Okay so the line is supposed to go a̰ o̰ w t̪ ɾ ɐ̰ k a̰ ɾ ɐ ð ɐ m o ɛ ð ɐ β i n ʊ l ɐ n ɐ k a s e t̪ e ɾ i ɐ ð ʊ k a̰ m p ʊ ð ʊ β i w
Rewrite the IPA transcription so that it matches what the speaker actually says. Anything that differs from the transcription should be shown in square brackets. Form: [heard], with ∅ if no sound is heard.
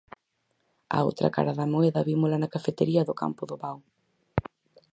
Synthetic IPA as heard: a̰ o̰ w t̪ ɾ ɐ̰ k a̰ ɾ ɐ ð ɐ m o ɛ ð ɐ β i [m] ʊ l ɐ n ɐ k a [f] e t̪ e ɾ i ɐ ð ʊ k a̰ m p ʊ ð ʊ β [a] w